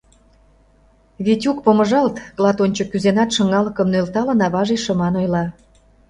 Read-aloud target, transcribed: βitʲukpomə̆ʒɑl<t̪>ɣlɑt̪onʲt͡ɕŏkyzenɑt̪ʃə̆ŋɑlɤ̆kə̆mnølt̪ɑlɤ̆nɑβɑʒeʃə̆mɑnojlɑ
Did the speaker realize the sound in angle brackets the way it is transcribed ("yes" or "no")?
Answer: yes